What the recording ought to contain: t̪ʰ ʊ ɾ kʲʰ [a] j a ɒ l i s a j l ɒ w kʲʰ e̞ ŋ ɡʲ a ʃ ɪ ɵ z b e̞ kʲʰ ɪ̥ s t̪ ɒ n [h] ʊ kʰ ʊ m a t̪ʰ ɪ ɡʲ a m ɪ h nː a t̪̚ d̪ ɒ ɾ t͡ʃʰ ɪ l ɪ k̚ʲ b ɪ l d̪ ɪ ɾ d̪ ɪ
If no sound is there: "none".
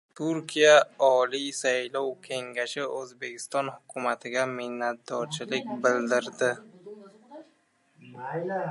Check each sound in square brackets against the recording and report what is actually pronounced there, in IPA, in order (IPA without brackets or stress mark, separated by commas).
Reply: i, h